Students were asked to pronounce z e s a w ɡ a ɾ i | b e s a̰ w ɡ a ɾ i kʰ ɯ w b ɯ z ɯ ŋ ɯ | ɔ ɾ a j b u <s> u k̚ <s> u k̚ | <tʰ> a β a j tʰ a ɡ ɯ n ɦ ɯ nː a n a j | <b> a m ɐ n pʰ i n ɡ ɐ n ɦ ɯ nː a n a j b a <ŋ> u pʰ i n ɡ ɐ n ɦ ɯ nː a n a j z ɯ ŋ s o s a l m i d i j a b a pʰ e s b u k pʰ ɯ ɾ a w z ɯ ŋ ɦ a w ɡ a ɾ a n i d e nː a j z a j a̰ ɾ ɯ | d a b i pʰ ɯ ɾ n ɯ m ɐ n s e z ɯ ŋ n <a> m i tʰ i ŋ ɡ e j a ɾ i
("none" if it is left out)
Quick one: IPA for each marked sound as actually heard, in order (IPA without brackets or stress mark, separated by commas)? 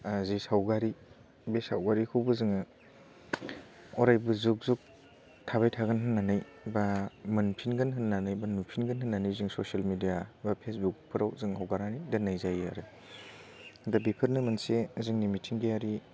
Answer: z, z, tʰ, b, n, i